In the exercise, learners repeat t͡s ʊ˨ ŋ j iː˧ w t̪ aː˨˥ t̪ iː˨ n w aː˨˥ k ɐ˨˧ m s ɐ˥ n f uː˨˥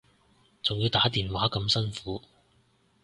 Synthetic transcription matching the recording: t͡s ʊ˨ ŋ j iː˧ w t̪ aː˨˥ t̪ iː˨ n w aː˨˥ k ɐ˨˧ m s ɐ˥ n f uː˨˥

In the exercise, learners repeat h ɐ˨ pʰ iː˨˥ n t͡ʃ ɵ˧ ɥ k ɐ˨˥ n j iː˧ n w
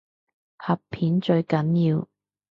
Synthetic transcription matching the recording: h ɐ˨ pʰ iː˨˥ n t͡ʃ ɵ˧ ɥ k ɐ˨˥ n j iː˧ w

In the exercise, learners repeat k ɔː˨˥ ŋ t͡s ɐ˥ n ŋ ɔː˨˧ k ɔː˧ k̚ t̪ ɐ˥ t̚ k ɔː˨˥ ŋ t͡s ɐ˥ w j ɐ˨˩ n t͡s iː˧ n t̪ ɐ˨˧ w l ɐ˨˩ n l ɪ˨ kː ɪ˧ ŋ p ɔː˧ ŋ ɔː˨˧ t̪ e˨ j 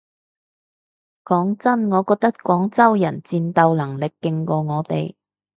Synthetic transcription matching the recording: k ɔː˨˥ ŋ t͡s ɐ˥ n ŋ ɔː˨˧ k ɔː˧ k̚ t̪ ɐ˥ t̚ k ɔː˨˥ ŋ t͡s ɐ˥ w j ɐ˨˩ n t͡s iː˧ n t̪ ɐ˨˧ w l ɐ˨˩ ŋ l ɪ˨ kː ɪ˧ ŋ k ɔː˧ ŋ ɔː˨˧ t̪ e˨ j

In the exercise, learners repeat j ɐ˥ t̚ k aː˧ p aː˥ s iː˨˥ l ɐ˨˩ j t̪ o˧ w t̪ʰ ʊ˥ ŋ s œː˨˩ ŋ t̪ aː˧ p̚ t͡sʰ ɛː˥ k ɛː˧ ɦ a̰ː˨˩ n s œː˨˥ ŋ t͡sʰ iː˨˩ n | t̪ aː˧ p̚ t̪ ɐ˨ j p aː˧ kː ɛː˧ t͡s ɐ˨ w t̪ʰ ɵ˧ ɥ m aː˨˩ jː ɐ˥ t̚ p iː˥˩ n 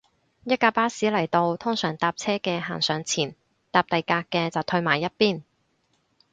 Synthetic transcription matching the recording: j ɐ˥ t̚ k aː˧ p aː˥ s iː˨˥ l ɐ˨˩ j t̪ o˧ w t̪ʰ ʊ˥ ŋ s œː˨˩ ŋ t̪ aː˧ p̚ t͡sʰ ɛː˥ k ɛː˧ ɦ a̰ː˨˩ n s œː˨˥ ŋ t͡sʰ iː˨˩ n | t̪ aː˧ p̚ t̪ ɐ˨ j k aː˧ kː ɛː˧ t͡s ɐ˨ w t̪ʰ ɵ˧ ɥ m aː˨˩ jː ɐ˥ t̚ p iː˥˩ n

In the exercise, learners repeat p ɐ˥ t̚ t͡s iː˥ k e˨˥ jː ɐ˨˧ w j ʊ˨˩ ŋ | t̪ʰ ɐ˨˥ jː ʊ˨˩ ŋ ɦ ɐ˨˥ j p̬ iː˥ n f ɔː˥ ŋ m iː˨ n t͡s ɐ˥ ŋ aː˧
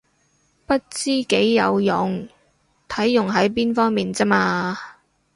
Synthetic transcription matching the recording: p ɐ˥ t̚ t͡s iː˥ k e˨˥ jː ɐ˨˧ w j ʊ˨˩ ŋ | t̪ʰ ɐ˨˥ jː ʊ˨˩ ŋ ɦ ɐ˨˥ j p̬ iː˥ n f ɔː˥ ŋ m iː˨ n t͡s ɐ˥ m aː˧

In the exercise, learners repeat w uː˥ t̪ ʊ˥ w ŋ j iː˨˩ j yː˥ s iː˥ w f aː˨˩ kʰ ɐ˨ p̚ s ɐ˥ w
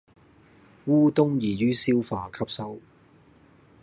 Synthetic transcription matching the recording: w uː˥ t̪ ʊ˥ ŋ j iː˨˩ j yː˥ s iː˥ w f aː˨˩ kʰ ɐ˥ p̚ s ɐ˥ w

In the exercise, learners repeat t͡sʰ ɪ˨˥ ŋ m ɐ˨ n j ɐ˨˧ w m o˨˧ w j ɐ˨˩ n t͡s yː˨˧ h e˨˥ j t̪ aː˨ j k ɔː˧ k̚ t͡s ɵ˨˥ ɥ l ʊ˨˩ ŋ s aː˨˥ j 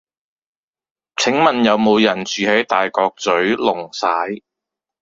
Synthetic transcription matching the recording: t͡sʰ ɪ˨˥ ŋ m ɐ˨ n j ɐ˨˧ w m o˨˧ w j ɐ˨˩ n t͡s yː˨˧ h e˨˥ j t̪ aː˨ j k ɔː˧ k̚ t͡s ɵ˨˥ ɥ l ʊ˨˩ ŋ s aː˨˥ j

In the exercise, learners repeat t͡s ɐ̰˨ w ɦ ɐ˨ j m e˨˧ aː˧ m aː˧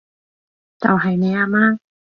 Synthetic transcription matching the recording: t͡s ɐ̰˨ w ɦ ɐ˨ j n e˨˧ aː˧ m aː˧

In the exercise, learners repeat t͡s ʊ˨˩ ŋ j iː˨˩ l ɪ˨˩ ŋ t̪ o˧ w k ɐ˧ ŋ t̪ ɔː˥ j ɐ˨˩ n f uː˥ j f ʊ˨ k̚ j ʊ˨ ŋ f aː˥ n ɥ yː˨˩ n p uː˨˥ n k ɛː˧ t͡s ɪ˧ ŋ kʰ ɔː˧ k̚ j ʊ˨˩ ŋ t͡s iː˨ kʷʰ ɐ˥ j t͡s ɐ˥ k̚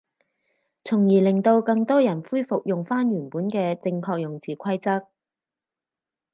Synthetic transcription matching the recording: t͡sʰ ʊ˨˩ ŋ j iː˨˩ l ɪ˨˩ ŋ t̪ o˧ w k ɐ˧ ŋ t̪ ɔː˥ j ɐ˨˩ n f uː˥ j f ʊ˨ k̚ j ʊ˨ ŋ f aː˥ n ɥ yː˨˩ n p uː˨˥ n k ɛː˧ t͡s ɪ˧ ŋ kʰ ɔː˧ k̚ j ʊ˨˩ ŋ t͡s iː˨ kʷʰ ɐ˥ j t͡s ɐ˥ k̚

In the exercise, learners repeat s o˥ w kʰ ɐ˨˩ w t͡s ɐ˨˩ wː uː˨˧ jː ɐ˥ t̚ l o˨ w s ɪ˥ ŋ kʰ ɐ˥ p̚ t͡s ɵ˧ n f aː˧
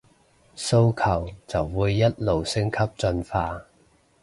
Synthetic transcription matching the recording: s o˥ w kʰ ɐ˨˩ w t͡s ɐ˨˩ wː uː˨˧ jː ɐ˥ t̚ l o˨ w s ɪ˥ ŋ kʰ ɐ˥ p̚ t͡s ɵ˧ n f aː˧

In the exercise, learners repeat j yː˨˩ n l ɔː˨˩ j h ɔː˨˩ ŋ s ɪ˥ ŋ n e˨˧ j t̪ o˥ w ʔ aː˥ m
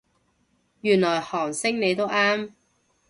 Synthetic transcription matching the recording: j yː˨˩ n l ɔː˨˩ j h ɔː˨˩ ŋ s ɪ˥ ŋ n e˨˧ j t̪ o˥ w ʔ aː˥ m

